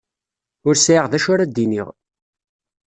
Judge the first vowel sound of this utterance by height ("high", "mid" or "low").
high